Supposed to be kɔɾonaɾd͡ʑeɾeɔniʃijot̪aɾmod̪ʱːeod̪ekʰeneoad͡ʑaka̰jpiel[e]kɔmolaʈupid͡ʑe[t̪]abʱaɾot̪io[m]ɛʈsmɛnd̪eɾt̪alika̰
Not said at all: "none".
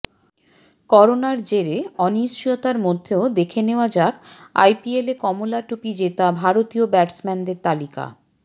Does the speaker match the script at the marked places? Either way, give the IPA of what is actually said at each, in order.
e, t̪, b

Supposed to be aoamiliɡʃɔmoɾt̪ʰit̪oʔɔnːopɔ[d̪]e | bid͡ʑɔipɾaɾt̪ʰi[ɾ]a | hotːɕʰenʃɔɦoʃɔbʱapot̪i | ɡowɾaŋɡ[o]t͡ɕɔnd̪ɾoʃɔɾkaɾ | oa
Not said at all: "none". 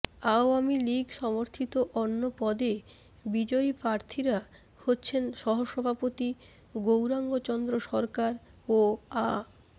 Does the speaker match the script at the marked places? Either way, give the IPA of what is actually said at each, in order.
d̪, ɾ, o

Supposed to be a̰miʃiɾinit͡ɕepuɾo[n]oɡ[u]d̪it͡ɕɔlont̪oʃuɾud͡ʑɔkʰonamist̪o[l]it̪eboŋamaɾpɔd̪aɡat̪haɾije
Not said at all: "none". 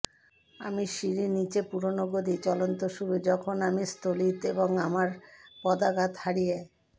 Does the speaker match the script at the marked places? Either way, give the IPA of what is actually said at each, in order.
n, o, l

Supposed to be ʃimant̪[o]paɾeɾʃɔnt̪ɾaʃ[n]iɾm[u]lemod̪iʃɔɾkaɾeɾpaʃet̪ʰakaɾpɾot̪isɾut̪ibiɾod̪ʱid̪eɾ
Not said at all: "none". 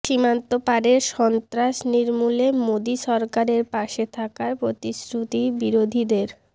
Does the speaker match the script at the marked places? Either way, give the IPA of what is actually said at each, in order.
o, n, u

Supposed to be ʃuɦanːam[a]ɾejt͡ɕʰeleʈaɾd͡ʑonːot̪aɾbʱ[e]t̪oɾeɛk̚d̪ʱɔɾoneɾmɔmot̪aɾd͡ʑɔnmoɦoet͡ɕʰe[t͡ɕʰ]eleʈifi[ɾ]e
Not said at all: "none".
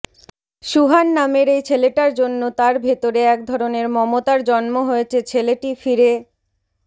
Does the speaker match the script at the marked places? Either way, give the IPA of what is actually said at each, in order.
e, e, t͡ɕʰ, ɾ

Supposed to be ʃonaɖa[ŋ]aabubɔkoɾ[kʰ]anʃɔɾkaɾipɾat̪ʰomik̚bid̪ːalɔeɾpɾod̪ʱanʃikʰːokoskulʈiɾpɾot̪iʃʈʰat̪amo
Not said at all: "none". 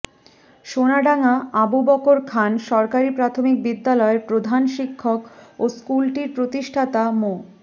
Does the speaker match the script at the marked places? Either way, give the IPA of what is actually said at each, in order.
ŋ, kʰ

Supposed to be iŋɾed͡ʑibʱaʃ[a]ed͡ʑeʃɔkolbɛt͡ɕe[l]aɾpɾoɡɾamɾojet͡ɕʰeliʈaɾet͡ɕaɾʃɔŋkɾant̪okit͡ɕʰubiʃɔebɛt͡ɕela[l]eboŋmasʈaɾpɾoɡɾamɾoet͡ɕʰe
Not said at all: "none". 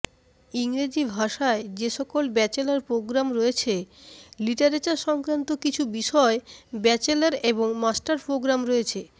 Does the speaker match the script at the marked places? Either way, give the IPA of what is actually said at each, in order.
a, l, ɾ

